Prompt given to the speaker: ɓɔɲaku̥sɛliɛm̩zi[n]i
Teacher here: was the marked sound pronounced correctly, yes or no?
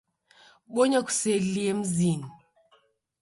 yes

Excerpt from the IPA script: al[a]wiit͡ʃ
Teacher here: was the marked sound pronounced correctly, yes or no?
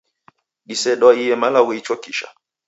yes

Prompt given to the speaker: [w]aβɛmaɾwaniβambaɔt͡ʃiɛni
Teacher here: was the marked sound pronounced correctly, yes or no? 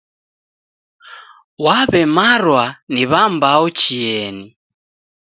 yes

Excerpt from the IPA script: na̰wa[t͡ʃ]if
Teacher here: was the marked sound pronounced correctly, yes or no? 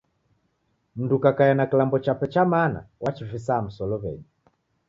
yes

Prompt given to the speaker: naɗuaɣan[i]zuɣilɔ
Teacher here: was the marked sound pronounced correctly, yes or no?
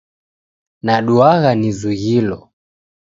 yes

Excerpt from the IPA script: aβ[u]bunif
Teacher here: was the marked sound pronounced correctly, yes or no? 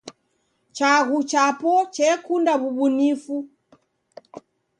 yes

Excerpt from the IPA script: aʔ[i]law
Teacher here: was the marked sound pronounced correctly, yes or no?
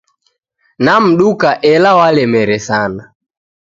no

